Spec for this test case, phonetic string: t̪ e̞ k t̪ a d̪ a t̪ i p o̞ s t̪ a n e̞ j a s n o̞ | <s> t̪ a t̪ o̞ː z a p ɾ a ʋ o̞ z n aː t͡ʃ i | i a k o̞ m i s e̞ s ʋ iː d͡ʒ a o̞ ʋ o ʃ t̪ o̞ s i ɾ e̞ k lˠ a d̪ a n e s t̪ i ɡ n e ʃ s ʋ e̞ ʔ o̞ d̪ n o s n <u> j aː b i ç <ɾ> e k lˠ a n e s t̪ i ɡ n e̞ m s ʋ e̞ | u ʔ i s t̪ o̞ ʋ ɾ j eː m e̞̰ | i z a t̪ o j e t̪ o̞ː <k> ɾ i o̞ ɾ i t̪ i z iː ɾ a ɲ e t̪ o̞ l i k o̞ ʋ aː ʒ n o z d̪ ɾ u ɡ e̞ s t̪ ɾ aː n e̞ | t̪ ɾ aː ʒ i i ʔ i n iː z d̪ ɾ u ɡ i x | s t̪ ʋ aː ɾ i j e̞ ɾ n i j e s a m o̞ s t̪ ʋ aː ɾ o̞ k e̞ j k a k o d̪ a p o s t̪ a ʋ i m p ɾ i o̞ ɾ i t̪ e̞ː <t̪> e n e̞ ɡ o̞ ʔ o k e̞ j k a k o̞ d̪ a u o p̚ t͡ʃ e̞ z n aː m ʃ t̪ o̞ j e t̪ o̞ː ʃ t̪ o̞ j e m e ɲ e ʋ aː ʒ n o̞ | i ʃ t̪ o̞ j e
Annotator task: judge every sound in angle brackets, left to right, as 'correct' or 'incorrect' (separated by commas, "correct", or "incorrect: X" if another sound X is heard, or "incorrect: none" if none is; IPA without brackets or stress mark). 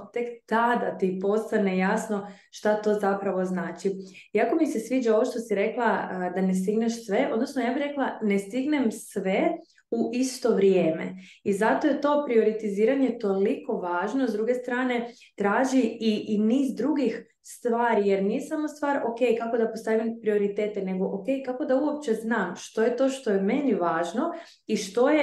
incorrect: ʃ, incorrect: o, correct, incorrect: p, correct